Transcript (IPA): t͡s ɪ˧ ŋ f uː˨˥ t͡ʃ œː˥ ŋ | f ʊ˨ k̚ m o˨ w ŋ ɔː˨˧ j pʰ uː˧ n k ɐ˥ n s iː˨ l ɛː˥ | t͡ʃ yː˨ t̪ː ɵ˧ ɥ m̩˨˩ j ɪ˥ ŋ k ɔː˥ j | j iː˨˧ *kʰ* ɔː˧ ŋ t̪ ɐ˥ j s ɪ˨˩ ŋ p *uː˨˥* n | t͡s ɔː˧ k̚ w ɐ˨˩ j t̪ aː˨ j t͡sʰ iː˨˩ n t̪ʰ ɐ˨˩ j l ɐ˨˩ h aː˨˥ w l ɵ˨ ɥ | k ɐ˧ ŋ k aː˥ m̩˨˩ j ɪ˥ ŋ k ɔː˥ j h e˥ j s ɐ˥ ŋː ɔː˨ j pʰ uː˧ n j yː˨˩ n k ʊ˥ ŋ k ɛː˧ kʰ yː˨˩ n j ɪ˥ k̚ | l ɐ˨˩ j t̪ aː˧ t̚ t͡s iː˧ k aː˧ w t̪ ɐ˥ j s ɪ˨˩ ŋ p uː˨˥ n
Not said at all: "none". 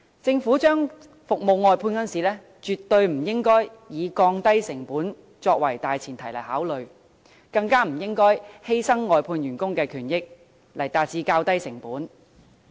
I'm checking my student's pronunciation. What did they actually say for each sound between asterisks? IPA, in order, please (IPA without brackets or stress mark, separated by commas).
k, uː˨˥